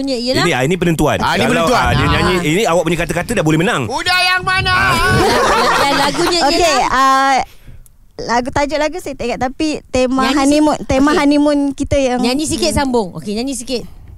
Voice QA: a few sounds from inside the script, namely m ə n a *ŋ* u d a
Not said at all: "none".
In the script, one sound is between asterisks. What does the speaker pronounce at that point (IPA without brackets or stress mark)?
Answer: ŋ